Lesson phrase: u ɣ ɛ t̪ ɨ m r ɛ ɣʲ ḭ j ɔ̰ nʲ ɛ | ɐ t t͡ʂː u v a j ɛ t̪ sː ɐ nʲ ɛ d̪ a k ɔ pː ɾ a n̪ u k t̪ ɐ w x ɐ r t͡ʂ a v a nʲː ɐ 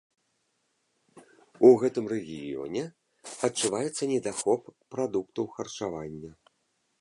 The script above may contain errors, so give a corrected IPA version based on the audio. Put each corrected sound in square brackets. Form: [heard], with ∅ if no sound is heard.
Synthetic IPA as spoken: u ɣ ɛ t̪ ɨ m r ɛ ɣʲ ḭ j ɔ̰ nʲ ɛ | ɐ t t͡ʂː u v a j ɛ t̪ sː ɐ nʲ ɛ d̪ a [x] ɔ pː ɾ a [d̪] u k t̪ ɐ w x ɐ r t͡ʂ a v a nʲː ɐ